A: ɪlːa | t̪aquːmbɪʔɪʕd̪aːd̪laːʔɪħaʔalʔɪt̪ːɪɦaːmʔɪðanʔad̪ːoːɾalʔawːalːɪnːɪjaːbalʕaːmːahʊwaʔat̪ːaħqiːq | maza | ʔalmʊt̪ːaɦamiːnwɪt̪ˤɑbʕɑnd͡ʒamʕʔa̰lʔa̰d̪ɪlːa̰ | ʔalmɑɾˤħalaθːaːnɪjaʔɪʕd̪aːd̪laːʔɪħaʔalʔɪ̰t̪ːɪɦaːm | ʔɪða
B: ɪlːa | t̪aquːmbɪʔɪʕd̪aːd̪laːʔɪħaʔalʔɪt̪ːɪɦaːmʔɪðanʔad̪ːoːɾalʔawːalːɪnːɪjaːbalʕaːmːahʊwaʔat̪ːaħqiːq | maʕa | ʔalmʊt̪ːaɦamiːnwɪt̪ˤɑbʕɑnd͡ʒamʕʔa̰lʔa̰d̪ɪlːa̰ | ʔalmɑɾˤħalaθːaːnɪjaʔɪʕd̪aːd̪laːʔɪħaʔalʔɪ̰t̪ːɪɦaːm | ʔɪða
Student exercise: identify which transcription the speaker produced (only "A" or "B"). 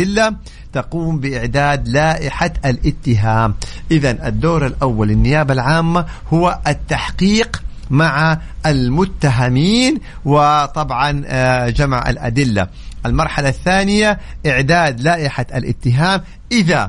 B